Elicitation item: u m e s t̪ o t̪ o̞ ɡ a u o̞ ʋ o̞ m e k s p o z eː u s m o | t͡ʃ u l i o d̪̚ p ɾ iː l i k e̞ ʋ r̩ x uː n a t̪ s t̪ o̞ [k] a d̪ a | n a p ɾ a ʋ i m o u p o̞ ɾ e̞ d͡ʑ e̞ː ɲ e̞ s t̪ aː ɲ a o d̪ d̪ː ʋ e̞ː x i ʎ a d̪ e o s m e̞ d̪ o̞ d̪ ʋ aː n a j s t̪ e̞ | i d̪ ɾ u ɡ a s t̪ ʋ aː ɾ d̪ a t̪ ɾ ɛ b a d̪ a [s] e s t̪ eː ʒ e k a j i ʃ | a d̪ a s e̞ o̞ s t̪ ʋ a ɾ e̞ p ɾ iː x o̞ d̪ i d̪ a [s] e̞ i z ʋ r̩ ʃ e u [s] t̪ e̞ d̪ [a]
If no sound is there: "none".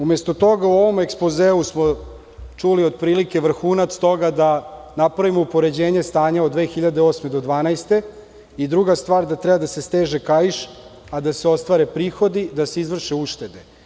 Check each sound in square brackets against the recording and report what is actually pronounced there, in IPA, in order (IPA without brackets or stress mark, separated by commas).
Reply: ɡ, s, s, ʃ, e